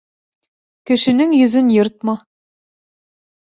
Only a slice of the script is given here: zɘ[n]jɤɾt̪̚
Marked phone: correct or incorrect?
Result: correct